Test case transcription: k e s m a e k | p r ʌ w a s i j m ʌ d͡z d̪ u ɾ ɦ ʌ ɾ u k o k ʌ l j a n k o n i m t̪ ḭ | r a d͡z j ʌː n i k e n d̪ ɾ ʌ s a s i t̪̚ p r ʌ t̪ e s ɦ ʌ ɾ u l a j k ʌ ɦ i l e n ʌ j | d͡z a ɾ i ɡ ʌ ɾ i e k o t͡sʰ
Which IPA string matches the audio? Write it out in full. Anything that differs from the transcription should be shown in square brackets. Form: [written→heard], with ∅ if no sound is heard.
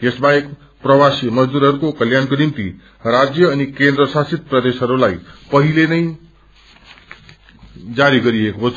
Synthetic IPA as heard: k e s [m→b] a e k | p r ʌ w a s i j m ʌ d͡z d̪ u ɾ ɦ ʌ ɾ u k o k ʌ l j a n k o n i m t̪ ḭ | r a d͡z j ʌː n i k e n d̪ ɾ ʌ s a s i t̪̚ p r ʌ [t̪→d̪] e s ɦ ʌ ɾ u l a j [k→p] ʌ ɦ i l e n ʌ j | d͡z a ɾ i ɡ ʌ ɾ i e k o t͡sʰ